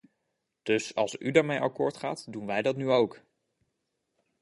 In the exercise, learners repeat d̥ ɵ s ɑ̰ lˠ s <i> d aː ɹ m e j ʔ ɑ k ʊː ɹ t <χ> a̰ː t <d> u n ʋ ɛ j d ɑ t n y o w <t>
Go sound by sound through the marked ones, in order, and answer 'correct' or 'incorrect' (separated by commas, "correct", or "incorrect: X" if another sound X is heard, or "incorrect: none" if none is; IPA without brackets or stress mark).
incorrect: y, correct, correct, incorrect: k